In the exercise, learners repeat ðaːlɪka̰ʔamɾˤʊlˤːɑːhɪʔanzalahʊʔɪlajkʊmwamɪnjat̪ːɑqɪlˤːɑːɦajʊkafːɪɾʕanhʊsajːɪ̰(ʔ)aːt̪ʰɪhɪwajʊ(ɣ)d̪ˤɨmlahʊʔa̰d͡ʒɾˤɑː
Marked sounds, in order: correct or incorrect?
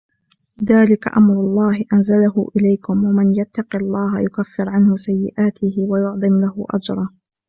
correct, incorrect: ʕ

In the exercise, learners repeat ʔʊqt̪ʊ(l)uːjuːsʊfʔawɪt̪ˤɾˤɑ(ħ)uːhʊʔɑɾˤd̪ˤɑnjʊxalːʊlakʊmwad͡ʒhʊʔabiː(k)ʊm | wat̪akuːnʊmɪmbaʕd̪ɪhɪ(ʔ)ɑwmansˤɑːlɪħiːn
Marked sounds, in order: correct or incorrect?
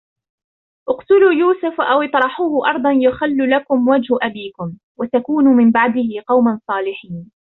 correct, correct, correct, incorrect: q

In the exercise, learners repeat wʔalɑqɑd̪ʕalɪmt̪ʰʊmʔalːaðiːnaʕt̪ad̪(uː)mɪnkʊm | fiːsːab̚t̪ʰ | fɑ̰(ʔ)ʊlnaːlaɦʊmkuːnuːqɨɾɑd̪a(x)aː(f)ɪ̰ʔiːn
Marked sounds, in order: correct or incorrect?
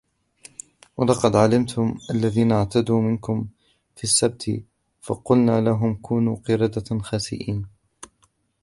correct, incorrect: q, correct, incorrect: s

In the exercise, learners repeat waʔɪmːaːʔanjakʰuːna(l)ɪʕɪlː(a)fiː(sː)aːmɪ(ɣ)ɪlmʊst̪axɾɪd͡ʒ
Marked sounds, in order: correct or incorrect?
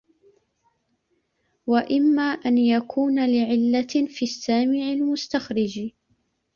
correct, correct, correct, incorrect: ʕ

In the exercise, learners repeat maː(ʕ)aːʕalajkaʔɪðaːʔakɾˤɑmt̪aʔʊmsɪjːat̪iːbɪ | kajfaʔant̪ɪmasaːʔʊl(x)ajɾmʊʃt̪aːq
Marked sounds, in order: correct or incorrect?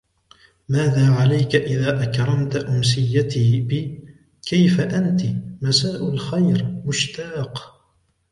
incorrect: ð, correct

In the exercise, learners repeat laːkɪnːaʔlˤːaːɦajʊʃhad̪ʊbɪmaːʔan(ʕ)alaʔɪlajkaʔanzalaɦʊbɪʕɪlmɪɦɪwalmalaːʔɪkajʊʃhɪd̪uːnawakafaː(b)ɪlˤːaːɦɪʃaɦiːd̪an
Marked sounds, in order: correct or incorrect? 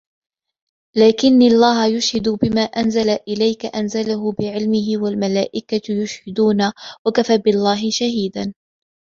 incorrect: z, correct

